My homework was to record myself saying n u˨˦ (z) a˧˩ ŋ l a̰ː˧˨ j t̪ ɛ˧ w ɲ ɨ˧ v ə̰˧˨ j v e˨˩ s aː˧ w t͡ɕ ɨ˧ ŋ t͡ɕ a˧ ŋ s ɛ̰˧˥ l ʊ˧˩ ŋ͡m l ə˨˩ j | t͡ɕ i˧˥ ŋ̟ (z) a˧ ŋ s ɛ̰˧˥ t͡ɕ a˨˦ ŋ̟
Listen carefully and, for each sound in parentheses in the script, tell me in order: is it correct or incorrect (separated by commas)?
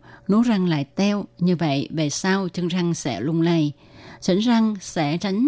correct, correct